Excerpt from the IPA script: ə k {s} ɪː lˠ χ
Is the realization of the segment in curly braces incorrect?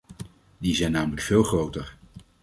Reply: yes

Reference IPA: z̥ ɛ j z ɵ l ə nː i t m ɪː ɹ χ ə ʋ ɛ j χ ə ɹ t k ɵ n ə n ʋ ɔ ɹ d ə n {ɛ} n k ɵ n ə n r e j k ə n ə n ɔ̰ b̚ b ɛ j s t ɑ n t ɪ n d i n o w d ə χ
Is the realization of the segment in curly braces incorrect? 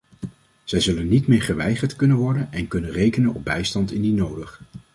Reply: no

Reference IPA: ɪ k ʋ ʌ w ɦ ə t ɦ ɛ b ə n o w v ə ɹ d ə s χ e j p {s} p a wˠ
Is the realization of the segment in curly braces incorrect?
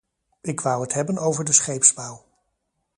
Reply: no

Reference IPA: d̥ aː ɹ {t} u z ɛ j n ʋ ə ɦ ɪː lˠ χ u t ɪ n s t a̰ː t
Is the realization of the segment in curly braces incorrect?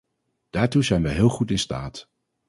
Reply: no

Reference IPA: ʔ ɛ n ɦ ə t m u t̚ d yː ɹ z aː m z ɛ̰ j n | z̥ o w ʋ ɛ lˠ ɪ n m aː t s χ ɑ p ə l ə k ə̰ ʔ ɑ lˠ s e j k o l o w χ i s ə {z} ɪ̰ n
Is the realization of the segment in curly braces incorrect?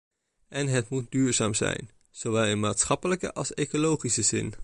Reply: no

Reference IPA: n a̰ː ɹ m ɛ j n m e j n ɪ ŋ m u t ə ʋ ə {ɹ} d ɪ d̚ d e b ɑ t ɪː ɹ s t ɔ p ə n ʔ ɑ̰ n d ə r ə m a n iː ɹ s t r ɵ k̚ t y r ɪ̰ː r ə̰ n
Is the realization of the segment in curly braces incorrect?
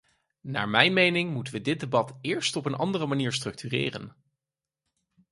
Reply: yes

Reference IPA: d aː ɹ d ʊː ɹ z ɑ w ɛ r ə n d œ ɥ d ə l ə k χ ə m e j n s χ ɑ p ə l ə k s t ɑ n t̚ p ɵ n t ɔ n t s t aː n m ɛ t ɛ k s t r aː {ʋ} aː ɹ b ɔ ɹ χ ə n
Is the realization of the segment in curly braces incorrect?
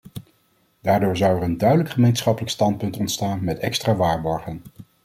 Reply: no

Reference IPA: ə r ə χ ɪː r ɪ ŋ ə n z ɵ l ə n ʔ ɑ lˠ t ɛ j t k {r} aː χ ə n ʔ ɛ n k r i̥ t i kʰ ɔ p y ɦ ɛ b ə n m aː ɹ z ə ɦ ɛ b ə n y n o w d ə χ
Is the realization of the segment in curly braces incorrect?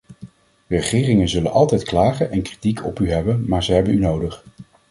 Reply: yes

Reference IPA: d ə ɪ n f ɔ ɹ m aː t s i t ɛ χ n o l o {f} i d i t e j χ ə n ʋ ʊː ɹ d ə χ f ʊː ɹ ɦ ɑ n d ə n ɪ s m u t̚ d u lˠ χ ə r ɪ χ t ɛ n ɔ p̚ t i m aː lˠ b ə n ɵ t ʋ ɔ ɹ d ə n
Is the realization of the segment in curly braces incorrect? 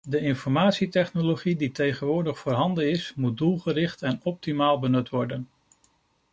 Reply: yes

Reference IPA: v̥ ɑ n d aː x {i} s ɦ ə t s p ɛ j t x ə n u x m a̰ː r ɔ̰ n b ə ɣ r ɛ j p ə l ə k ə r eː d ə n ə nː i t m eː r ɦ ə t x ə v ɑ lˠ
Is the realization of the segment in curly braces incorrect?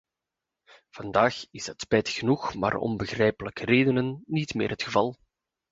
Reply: yes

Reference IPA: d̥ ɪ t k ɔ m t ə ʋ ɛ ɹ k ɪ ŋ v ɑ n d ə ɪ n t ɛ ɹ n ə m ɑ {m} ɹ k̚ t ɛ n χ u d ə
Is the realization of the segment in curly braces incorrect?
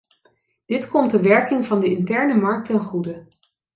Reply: yes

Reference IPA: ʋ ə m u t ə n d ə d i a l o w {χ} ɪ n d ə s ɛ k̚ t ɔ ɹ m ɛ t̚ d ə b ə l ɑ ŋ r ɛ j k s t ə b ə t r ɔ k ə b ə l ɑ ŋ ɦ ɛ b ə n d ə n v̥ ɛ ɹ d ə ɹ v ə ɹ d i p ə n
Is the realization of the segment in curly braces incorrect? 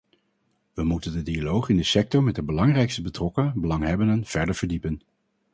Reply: no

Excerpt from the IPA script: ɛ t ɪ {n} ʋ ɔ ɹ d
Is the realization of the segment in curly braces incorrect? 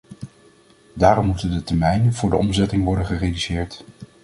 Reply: yes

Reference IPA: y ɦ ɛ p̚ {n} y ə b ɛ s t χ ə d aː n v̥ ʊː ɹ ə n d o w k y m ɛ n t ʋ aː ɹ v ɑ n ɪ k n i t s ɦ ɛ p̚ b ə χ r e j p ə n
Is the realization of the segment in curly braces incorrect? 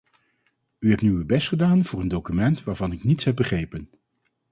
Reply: no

